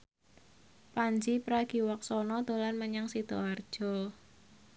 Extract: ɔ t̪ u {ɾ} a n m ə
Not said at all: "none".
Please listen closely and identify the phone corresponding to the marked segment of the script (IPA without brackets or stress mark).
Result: l